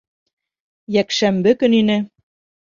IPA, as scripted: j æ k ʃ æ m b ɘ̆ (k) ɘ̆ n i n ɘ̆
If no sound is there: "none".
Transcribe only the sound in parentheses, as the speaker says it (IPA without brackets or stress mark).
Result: k